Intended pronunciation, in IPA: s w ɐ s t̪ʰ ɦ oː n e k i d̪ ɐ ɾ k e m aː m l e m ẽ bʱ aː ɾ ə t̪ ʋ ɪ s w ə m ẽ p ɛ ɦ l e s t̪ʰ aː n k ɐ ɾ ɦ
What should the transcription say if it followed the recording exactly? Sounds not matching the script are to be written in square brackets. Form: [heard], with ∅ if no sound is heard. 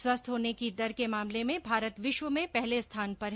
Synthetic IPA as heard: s w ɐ s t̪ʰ ɦ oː n e k i d̪ ɐ ɾ k e m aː m l e m ẽ bʱ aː ɾ ə t̪ ʋ ɪ [ʃ] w ə m ẽ p ɛ ɦ l e s t̪ʰ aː n [p] ɐ ɾ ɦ